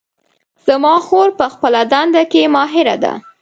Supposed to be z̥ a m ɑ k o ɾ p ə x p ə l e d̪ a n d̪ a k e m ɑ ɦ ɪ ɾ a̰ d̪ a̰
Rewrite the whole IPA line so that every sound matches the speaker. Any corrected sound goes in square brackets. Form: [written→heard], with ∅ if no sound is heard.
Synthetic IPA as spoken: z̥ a m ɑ [k→x] o ɾ p ə x p ə l [e→a] d̪ a n d̪ a k e m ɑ ɦ ɪ ɾ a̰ d̪ a̰